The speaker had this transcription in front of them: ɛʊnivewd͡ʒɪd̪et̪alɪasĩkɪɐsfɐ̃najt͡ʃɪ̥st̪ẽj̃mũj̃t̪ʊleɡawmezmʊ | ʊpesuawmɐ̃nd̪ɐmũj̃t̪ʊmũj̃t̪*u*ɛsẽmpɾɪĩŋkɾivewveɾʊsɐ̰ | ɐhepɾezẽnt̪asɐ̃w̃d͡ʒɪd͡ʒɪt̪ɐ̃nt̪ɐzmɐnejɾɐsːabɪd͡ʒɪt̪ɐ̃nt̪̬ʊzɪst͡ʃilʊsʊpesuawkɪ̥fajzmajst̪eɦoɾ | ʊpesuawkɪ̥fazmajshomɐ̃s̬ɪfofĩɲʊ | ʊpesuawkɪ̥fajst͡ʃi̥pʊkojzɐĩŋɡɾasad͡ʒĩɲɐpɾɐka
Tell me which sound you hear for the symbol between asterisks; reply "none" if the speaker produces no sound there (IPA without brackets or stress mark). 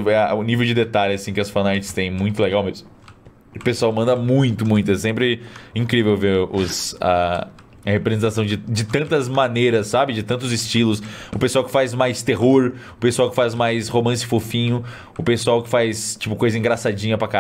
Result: ʊ